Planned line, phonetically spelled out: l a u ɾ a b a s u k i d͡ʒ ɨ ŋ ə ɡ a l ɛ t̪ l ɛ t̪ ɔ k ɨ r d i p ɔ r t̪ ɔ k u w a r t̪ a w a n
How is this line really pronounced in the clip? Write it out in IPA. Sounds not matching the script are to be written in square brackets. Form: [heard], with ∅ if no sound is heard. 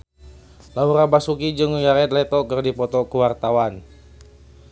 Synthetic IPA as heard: l a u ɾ a b a s u k i d͡ʒ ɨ ŋ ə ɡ a [ɾ] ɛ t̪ l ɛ t̪ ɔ k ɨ r d i p ɔ [∅] t̪ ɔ k u w a r t̪ a w a n